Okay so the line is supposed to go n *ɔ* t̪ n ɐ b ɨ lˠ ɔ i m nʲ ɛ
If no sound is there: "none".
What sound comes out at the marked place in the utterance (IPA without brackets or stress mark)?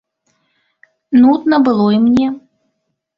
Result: u